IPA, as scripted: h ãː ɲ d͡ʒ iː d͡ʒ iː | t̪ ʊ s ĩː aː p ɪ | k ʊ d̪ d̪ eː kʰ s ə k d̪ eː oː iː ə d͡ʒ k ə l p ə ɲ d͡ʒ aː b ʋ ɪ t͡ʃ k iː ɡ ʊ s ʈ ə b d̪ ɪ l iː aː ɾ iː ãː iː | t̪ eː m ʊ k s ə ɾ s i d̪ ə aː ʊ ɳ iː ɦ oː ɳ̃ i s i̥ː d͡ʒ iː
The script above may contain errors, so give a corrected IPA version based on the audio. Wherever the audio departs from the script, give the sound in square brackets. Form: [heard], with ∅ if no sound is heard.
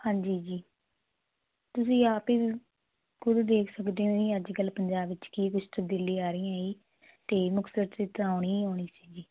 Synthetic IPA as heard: h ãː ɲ d͡ʒ iː d͡ʒ iː | t̪ ʊ s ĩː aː p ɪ | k ʊ d̪ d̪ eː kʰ s ə k d̪ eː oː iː ə d͡ʒ k ə l p ə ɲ d͡ʒ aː b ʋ ɪ t͡ʃ k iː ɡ ʊ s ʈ ə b d̪ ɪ l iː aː ɾ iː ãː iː | t̪ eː m ʊ k s ə ɾ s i [t̪] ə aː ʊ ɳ iː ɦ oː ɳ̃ [iː] s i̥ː d͡ʒ iː